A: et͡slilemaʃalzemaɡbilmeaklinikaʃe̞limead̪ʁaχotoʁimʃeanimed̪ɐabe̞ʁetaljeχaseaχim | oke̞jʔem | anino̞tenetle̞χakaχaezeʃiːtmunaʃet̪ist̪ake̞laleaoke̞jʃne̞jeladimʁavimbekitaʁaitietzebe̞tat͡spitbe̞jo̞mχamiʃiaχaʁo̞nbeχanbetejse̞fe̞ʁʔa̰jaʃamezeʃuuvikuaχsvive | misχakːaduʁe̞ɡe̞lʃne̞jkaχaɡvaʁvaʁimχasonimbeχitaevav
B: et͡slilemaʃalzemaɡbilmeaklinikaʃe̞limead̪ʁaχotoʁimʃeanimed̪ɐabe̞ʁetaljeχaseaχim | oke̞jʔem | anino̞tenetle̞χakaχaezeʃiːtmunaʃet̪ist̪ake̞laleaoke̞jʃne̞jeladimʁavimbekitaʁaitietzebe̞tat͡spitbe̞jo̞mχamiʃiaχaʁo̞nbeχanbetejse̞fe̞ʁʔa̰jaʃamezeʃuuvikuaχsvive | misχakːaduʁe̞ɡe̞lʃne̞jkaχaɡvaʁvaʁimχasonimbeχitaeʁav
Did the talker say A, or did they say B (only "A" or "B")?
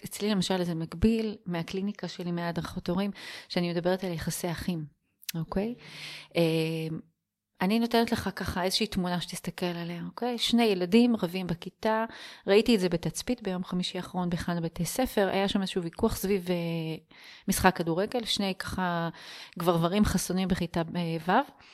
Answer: A